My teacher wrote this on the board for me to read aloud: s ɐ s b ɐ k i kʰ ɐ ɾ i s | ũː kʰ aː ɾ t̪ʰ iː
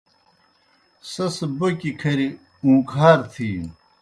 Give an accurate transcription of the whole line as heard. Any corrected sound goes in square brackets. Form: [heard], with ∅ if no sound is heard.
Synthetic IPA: s ɐ s b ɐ k i kʰ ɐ ɾ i [∅] | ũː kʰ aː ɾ t̪ʰ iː